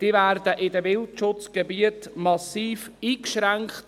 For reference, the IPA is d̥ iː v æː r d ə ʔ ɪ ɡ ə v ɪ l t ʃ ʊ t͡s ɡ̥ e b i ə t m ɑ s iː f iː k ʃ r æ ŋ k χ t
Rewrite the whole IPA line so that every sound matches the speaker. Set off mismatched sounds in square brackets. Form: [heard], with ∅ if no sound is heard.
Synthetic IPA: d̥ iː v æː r d ə ʔ ɪ [d] ə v ɪ l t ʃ ʊ t͡s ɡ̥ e b i ə t m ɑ s iː f iː k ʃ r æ ŋ k χ t